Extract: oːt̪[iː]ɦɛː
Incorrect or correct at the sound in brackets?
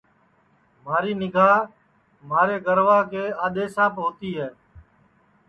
correct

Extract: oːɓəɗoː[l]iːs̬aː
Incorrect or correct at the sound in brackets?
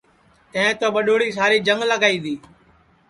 incorrect: ɽ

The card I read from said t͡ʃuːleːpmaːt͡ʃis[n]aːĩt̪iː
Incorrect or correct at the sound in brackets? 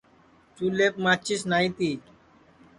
correct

